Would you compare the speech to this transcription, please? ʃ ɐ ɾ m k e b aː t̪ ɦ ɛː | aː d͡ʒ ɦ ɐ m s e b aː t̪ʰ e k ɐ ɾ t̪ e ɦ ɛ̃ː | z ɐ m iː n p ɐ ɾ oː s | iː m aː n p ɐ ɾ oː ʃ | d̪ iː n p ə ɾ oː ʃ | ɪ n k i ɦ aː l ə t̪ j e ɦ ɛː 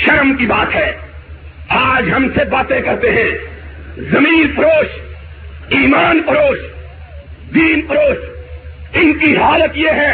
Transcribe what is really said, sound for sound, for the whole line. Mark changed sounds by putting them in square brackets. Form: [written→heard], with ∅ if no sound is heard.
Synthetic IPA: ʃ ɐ ɾ m k [e→i] b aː t̪ ɦ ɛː | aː d͡ʒ ɦ ɐ m s e b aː [t̪ʰ→t̪] e k ɐ ɾ t̪ e ɦ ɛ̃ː | z ɐ m iː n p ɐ ɾ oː [s→ʃ] | iː m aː n p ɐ ɾ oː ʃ | d̪ iː n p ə ɾ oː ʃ | ɪ n k i ɦ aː l ə t̪ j e ɦ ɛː